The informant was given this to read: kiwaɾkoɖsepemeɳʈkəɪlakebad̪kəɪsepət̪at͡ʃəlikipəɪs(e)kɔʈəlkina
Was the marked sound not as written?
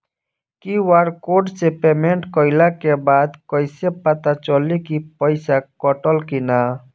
yes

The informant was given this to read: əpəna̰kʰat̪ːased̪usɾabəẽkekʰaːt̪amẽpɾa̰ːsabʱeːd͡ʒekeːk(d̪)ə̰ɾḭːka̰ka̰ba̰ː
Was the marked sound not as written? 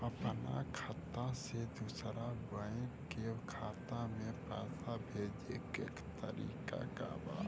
yes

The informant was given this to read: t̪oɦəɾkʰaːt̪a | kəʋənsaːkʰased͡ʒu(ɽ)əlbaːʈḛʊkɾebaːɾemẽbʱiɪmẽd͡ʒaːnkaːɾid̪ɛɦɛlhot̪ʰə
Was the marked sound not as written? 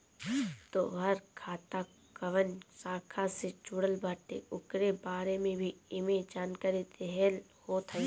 no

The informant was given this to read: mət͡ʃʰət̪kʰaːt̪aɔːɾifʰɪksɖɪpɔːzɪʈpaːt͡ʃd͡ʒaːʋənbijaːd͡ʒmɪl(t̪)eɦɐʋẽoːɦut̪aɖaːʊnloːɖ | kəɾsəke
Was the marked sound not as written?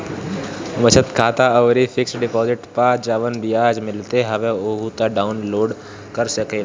no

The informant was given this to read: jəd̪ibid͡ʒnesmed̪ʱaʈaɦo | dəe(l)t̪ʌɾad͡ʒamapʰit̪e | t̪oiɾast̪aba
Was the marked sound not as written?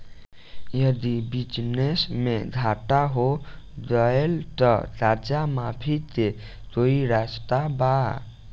no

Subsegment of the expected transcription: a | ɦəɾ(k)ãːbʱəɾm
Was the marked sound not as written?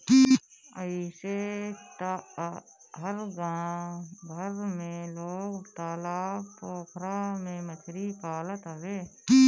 yes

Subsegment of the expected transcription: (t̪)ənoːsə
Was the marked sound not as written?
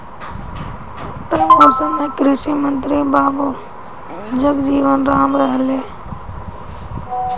no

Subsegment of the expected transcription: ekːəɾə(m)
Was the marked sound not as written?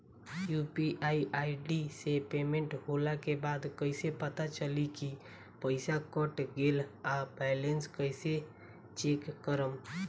no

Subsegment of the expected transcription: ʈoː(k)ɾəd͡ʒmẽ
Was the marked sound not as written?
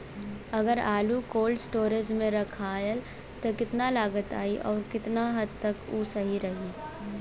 yes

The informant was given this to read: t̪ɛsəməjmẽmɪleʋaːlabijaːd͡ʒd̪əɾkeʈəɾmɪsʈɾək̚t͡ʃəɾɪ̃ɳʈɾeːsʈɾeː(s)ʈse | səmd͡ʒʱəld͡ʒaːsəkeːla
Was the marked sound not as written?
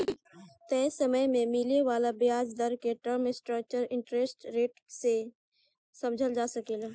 yes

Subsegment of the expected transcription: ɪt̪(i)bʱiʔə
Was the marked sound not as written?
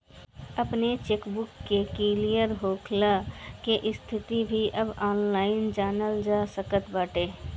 no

